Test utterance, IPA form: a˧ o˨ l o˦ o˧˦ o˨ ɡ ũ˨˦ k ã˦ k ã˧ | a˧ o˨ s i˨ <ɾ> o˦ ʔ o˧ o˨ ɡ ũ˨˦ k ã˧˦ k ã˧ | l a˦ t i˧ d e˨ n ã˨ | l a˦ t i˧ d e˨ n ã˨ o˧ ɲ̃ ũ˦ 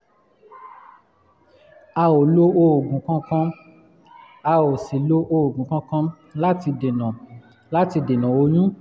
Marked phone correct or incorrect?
incorrect